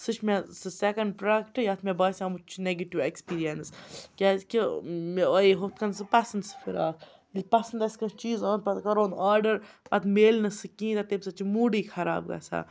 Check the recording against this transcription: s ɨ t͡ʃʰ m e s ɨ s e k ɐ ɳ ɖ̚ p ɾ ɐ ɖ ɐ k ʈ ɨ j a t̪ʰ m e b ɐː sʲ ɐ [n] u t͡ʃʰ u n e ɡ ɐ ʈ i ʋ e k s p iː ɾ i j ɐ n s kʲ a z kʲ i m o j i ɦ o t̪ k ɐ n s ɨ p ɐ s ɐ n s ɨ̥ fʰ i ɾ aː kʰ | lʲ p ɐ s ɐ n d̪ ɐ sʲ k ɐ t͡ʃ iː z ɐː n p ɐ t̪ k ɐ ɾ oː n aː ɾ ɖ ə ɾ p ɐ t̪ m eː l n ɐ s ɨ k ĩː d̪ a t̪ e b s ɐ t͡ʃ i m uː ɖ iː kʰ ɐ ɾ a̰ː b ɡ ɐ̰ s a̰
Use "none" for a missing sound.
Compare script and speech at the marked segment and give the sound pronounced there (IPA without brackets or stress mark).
m